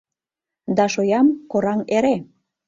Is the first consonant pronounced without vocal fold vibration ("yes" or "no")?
no